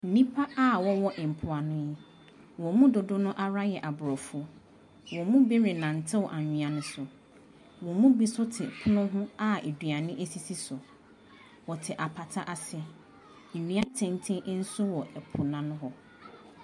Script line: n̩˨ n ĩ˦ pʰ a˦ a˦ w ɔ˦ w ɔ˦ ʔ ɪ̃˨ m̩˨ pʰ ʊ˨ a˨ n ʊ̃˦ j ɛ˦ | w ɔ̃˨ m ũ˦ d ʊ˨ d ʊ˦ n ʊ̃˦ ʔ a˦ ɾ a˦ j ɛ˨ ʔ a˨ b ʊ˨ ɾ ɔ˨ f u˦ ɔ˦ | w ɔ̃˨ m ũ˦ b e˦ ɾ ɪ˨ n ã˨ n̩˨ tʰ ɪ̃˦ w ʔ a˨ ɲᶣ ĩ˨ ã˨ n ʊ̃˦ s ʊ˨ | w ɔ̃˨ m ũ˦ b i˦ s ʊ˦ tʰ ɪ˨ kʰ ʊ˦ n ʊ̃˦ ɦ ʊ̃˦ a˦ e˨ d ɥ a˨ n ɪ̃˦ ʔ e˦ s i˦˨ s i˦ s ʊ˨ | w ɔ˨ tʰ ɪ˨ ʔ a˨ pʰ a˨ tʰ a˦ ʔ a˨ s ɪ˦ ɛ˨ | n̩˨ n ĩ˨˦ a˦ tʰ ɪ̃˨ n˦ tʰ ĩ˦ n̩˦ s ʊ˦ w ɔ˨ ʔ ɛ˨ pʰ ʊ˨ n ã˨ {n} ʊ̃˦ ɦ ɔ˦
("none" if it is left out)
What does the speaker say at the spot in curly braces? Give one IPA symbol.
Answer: n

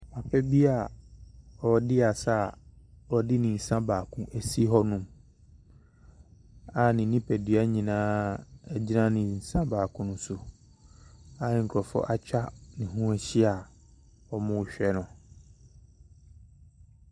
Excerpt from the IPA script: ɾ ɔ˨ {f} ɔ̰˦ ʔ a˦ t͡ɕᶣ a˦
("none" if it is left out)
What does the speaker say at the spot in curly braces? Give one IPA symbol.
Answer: f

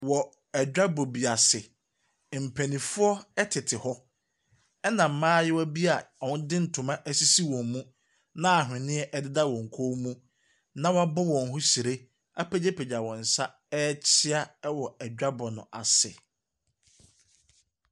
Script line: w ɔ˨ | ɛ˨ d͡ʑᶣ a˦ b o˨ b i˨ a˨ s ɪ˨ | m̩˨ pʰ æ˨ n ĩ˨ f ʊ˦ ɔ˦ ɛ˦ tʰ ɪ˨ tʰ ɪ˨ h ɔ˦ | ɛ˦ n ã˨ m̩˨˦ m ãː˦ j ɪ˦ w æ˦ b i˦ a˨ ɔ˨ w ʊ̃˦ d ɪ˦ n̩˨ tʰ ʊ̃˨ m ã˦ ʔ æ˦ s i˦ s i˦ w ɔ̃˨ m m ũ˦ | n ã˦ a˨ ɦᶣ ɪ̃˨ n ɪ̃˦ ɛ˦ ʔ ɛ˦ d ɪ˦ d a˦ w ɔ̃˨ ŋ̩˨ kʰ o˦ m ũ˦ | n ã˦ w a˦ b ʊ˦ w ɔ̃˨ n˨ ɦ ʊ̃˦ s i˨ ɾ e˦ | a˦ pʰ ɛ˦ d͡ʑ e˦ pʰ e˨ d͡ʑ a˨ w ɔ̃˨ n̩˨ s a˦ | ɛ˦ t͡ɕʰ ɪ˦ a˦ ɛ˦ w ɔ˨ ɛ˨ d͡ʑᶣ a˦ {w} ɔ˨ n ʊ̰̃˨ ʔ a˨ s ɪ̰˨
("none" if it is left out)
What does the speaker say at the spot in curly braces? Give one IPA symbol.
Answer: b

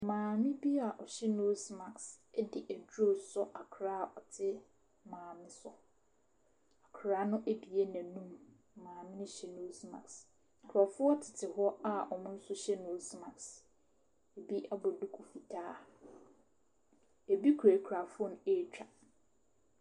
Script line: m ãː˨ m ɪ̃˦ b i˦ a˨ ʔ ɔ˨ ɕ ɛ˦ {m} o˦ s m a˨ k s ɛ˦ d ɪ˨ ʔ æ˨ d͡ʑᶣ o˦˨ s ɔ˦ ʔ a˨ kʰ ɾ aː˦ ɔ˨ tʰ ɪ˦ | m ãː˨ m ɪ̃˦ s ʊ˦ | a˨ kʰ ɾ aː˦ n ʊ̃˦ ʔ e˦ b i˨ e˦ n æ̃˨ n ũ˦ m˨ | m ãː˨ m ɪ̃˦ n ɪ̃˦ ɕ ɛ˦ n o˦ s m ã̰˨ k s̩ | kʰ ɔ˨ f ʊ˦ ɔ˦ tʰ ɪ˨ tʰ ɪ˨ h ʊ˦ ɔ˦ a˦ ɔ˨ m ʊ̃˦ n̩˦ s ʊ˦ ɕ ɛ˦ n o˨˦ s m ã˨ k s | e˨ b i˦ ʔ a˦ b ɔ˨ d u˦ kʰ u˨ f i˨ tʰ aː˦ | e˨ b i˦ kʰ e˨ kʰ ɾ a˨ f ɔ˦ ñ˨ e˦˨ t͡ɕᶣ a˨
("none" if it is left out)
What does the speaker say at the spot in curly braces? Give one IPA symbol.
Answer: n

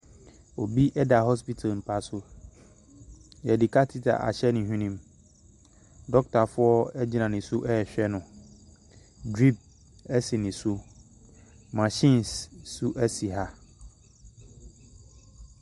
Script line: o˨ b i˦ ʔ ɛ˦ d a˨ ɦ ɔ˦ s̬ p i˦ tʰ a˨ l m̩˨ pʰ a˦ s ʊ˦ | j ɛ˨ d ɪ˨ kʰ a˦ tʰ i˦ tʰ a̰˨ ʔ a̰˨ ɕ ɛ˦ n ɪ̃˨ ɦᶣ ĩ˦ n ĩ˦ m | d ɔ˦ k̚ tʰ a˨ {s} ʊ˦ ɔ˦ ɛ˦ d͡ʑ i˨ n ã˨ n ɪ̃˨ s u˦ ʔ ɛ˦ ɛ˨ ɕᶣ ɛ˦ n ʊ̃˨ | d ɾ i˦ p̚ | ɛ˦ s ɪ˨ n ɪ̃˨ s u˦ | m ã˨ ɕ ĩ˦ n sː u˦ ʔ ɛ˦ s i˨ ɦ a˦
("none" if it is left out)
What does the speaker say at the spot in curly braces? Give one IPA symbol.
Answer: f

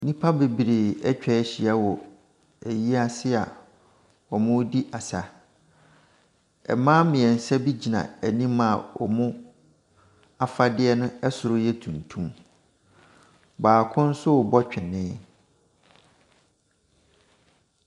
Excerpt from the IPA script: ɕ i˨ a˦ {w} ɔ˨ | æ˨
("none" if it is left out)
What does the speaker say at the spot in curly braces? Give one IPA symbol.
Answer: w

